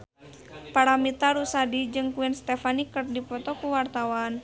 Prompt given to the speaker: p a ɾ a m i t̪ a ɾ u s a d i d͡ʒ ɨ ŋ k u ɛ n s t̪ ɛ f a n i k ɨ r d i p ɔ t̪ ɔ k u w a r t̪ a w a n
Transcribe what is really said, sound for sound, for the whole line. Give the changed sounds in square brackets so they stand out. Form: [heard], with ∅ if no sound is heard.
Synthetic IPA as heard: p a ɾ a m i t̪ a ɾ u s a d i d͡ʒ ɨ ŋ k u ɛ n s t̪ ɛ f a n i k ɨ r d i p ɔ t̪ ɔ k u w a r t̪ a w a n